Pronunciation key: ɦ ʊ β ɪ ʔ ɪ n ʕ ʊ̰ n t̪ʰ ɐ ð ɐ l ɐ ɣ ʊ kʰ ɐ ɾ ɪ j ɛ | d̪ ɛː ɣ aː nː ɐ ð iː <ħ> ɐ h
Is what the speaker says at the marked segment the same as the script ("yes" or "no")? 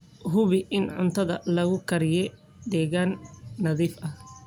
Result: no